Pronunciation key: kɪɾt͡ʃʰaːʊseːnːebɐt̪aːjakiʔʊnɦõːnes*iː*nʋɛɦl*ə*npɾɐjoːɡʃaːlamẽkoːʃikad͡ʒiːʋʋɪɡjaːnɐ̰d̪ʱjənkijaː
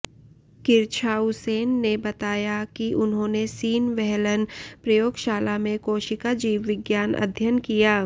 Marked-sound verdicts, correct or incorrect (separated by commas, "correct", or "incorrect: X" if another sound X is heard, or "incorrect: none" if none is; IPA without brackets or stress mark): correct, correct